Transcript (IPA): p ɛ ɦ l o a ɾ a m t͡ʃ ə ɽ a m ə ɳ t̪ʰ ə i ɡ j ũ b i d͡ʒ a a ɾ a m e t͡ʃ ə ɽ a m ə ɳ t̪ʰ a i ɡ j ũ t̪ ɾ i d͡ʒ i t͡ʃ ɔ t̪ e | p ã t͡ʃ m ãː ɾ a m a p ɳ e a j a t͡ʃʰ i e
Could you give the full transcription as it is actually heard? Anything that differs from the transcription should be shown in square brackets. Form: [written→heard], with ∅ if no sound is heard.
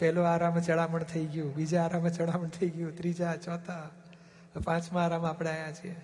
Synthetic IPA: p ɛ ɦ l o a ɾ a m t͡ʃ ə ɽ a m ə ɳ t̪ʰ ə i ɡ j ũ b i d͡ʒ a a ɾ a m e t͡ʃ ə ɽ a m ə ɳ t̪ʰ [a→ə] i ɡ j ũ t̪ ɾ i d͡ʒ [i→a] t͡ʃ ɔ t̪ [e→a] | p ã t͡ʃ m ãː ɾ a m a p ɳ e a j a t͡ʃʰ i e